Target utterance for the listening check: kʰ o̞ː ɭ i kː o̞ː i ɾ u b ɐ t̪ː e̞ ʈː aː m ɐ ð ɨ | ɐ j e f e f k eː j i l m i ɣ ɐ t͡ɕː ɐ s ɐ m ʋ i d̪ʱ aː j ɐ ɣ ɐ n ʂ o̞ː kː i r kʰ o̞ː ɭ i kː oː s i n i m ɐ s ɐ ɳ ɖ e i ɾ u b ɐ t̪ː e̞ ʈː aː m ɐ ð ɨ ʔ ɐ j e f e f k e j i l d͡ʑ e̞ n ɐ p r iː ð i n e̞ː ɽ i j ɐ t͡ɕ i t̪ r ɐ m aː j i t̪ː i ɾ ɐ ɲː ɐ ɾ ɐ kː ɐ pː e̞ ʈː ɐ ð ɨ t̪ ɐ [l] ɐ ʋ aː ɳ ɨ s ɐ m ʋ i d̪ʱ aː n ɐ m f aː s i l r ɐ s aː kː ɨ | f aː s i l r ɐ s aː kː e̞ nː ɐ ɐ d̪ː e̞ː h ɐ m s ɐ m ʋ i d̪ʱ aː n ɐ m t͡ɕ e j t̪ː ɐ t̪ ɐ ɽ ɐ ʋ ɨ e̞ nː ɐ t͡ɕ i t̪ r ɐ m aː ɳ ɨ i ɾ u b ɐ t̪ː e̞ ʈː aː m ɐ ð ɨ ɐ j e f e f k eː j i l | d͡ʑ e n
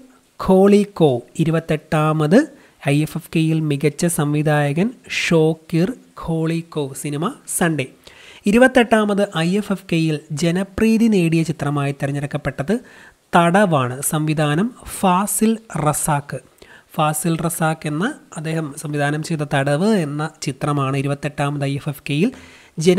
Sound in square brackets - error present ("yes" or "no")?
yes